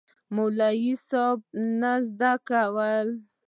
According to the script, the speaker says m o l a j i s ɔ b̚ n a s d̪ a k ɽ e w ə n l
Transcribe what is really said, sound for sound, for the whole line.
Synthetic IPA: m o l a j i s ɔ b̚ n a z d̪ a k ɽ a w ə l